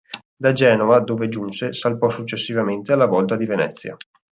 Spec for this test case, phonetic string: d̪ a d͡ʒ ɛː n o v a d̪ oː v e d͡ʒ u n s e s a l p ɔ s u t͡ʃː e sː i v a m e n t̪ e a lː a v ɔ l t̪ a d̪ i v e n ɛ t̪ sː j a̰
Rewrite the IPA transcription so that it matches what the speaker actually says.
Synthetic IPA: d̪ a d͡ʒ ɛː n o v a d̪ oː v e d͡ʒ u n s e s a l p ɔ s u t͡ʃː e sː i v a m e n t̪ e a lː a v ɔ l t̪ a d̪ i v e n ɛ t̪ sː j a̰